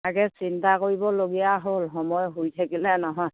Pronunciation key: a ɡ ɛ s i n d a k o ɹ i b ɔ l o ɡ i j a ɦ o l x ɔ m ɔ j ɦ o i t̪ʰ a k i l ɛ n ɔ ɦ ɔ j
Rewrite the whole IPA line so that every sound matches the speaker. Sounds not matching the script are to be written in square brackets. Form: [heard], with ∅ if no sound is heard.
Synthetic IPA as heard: a ɡ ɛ s i n [t] a k o ɹ i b ɔ l o ɡ i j a ɦ o l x ɔ m ɔ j ɦ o [j] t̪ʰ a k i l ɛ n ɔ ɦ ɔ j